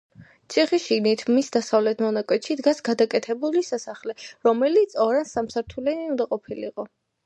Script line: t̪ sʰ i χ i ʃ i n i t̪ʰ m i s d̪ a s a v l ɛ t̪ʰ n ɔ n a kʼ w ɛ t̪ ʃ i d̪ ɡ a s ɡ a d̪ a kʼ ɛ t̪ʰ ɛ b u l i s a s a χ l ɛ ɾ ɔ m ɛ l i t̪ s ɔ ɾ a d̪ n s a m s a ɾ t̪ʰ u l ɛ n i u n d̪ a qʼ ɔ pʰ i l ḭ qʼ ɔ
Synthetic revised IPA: t̪ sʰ i χ i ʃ i n i t̪ʰ m i s d̪ a s a v l ɛ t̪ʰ m ɔ n a kʼ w ɛ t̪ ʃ i d̪ ɡ a s ɡ a d̪ a kʼ ɛ t̪ʰ ɛ b u l i s a s a χ l ɛ ɾ ɔ m ɛ l i t̪ s ɔ ɾ a n s a m s a ɾ t̪ʰ u l ɛ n i u n d̪ a qʼ ɔ pʰ i l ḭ qʼ ɔ